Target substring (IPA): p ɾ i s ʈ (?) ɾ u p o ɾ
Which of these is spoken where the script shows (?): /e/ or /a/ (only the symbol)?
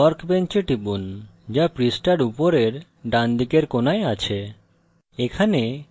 a